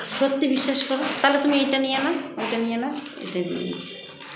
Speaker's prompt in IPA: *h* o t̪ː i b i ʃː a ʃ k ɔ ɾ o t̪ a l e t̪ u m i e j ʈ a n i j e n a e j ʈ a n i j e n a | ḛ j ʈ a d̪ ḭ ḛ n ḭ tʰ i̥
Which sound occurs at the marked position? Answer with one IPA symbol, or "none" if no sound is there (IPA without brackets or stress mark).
ʃ